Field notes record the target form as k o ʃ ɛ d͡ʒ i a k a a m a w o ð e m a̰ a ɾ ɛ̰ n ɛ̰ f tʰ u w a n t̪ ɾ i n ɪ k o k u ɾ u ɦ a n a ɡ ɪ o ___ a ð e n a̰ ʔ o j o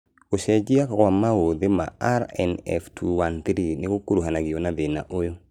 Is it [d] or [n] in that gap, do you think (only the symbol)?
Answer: n